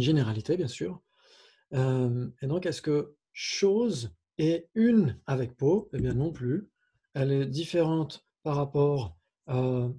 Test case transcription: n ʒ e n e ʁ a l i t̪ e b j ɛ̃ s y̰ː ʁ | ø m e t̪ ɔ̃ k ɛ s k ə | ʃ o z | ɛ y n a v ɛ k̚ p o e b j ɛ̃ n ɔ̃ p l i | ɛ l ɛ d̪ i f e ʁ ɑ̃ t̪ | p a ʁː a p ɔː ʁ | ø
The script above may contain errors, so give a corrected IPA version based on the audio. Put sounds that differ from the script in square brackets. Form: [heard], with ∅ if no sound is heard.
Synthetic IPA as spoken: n ʒ e n e ʁ a l i t̪ e b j ɛ̃ s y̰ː ʁ | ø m e [d̪] ɔ̃ k ɛ s k ə | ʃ o z | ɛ y n a v ɛ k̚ p o e b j ɛ̃ n ɔ̃ p l [y] | ɛ l ɛ d̪ i f e ʁ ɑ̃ t̪ | p a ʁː a p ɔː ʁ | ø